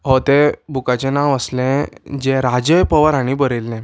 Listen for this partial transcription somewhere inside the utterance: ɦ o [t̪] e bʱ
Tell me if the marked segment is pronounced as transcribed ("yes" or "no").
yes